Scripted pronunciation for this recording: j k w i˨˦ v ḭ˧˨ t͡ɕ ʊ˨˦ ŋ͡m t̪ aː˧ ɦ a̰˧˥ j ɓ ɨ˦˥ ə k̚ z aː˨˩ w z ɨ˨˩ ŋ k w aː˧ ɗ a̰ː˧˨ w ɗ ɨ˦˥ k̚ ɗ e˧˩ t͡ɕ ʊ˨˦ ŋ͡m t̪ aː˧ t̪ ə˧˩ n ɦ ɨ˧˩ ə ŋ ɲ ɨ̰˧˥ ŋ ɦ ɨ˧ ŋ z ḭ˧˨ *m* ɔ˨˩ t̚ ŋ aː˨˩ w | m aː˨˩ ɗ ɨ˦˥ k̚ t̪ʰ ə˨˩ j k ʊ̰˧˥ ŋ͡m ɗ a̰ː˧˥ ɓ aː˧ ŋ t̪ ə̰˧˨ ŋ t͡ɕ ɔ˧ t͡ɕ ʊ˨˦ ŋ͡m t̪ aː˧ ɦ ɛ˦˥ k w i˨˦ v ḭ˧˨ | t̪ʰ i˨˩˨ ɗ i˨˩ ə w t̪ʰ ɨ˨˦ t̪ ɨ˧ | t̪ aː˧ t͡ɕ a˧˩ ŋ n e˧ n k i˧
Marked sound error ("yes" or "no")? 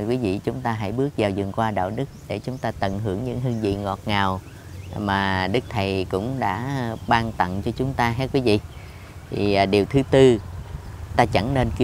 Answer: yes